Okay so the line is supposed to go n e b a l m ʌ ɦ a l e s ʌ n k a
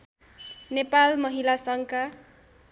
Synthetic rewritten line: n e p a l m ʌ ɦ i l a s ʌ ŋ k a